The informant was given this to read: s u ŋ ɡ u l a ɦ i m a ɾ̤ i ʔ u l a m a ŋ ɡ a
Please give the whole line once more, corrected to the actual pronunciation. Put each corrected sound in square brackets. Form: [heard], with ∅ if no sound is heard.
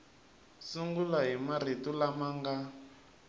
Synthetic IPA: s u ŋ ɡ u l a ɦ i m a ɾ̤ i [t] u l a m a ŋ ɡ a